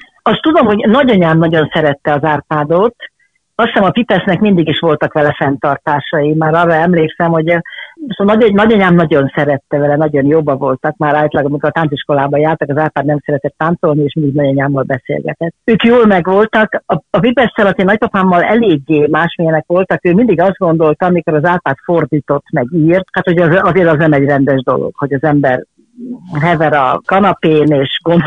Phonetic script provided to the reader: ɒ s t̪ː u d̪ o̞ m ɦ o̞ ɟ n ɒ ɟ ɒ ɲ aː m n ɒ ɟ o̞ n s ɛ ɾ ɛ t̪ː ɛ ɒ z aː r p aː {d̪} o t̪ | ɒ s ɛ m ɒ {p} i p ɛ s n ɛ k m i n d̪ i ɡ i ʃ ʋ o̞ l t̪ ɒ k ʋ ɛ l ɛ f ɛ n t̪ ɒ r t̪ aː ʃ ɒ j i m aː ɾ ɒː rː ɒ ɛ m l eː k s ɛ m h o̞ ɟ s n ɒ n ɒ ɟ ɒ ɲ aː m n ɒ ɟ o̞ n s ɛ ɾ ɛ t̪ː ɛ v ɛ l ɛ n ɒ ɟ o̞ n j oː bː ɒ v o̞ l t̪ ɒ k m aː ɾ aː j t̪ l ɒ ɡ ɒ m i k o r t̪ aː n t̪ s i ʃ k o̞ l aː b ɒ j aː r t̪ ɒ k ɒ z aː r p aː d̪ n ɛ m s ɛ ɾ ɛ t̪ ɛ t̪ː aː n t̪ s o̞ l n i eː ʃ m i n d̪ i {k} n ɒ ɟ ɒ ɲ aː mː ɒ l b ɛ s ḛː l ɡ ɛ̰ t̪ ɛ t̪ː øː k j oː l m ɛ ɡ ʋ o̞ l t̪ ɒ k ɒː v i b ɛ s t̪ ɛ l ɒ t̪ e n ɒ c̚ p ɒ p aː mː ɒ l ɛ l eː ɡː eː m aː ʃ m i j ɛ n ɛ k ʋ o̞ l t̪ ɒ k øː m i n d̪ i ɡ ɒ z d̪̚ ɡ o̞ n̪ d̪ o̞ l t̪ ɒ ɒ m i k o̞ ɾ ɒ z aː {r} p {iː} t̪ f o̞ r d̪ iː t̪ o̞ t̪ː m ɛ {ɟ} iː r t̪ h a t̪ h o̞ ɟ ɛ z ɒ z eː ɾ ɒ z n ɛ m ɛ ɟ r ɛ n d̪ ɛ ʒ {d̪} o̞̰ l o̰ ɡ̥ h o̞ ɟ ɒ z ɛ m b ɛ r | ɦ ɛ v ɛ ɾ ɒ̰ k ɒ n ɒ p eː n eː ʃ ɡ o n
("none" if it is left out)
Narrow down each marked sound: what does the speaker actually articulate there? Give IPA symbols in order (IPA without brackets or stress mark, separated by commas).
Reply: d̪, p, ɡ, l, aː, ɡ, d̪